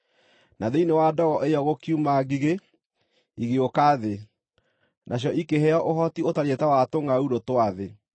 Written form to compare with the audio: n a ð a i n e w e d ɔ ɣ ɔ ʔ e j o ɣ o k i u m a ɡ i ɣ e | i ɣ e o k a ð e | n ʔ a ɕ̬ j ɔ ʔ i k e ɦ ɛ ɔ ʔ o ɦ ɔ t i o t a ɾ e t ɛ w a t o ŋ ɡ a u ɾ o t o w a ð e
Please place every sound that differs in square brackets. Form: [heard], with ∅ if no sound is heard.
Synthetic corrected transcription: n a ð [e] i n e w [a] d ɔ ɣ ɔ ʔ e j [ɔ] ɣ o k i u m a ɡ i ɣ e | i ɣ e o k a ð e | n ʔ a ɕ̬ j ɔ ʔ i k e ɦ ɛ ɔ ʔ o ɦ ɔ t i o t a ɾ e t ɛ w a t o ŋ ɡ a u ɾ o t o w a ð e